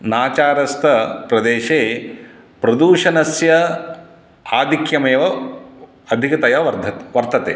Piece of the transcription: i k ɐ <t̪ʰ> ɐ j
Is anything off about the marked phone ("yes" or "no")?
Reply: yes